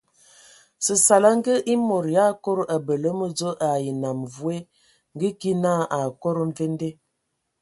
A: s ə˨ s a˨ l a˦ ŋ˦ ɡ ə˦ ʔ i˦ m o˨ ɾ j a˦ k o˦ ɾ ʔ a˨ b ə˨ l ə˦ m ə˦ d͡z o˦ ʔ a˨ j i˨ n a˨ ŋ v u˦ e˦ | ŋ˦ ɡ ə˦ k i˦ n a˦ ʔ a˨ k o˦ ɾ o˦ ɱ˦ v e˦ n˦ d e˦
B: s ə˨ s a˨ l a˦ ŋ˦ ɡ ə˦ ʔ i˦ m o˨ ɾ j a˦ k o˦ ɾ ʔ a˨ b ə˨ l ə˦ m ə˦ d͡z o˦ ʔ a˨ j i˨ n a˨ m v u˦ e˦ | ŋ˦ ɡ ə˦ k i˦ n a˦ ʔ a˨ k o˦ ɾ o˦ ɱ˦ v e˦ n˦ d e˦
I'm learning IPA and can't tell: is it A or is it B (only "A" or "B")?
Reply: B